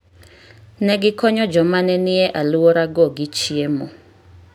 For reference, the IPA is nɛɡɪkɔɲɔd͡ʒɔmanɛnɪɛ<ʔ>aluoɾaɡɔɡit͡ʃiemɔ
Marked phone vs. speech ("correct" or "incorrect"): correct